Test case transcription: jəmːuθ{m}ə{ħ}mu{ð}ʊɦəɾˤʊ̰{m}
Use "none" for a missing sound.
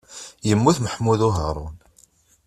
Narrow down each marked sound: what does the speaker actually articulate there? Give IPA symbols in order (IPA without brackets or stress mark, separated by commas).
m, ħ, ð, n